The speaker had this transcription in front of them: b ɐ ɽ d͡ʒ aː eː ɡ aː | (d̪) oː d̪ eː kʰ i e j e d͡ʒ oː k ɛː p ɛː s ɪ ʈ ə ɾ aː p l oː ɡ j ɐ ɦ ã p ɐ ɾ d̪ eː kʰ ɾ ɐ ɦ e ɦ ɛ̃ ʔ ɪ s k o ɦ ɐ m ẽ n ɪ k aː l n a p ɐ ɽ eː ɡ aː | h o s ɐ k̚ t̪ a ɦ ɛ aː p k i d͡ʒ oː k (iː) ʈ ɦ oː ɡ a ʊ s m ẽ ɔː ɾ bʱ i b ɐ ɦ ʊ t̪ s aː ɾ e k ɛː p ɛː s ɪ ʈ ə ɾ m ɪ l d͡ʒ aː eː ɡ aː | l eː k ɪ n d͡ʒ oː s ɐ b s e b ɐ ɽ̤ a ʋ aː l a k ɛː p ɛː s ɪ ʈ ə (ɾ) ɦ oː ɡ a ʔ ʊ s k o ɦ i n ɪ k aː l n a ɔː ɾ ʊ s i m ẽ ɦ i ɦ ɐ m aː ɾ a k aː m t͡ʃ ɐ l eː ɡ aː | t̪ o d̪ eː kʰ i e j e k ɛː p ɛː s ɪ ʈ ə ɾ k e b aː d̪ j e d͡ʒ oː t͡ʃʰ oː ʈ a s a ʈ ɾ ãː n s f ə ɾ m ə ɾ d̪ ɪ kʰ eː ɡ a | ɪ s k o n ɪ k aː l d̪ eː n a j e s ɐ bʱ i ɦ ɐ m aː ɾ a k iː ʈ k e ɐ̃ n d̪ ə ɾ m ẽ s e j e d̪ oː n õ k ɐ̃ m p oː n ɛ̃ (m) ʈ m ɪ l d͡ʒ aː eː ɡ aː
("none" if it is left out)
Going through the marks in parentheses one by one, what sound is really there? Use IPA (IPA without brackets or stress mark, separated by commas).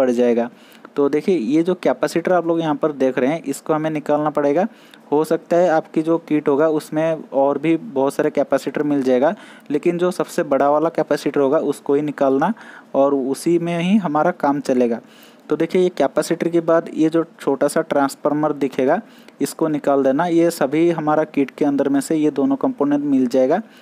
t̪, iː, ɾ, ɳ